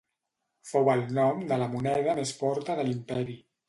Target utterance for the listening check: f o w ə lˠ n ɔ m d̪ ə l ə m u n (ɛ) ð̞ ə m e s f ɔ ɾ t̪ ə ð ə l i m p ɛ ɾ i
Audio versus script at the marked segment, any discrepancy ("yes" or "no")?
no